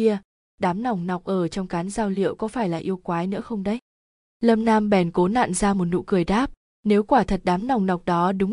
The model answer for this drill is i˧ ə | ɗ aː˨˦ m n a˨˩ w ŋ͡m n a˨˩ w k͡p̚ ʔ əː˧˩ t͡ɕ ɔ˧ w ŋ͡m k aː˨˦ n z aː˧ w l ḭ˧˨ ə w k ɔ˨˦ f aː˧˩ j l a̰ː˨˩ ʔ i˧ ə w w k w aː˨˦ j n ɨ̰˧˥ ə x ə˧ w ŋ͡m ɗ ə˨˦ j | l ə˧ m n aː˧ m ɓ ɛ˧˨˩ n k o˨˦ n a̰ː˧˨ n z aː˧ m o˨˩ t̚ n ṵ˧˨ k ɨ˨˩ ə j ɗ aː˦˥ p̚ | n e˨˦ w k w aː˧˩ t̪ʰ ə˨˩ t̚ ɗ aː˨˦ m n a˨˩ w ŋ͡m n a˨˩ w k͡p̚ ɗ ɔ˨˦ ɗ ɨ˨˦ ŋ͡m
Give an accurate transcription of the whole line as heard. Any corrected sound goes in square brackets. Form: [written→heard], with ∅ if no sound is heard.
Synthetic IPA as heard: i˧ ə | ɗ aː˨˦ m n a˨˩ w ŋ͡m n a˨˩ w k͡p̚ ʔ əː˧˩ t͡ɕ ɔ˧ w ŋ͡m k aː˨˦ n z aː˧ w l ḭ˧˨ ə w k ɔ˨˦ f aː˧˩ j l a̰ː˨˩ ʔ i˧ ə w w k w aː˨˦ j n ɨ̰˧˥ ə x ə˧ w ŋ͡m ɗ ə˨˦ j | l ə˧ m n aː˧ m ɓ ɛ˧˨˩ n k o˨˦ n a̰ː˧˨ n z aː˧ m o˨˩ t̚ n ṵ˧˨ k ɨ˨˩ ə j ɗ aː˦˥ p̚ | n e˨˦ w k w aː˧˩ t̪ʰ ə˨˩ t̚ ɗ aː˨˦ m n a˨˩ w ŋ͡m n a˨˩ w k͡p̚ ɗ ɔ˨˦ ɗ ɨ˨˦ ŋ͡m